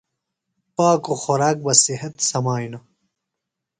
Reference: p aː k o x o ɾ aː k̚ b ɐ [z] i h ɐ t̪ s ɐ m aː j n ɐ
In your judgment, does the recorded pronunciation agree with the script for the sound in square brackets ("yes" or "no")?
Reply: no